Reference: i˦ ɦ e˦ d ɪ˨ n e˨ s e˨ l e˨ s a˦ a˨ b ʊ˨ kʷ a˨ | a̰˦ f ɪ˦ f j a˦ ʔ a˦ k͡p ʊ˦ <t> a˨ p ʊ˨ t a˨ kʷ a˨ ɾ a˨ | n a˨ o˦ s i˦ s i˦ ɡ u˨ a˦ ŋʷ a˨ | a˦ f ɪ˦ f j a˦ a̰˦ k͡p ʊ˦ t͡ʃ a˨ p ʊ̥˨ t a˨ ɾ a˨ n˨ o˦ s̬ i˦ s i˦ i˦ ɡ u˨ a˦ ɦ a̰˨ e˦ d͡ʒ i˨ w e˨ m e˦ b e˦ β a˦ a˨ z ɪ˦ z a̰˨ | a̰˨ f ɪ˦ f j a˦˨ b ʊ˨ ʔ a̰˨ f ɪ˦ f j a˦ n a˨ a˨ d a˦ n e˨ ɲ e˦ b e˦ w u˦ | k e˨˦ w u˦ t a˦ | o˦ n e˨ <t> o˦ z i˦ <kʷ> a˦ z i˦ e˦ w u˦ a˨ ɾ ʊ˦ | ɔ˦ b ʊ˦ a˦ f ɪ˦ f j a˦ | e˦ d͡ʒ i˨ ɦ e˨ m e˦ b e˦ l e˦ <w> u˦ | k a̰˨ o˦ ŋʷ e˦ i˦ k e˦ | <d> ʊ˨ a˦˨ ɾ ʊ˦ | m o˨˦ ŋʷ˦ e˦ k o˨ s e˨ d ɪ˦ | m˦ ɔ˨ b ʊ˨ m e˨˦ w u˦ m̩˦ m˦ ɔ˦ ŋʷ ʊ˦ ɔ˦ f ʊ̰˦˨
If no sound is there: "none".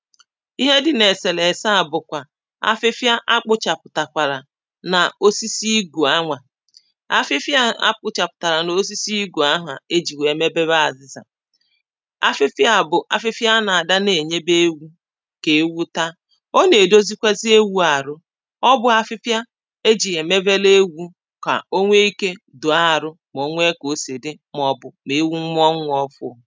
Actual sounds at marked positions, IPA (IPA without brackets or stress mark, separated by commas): t͡ʃ, d, kʷ, w, d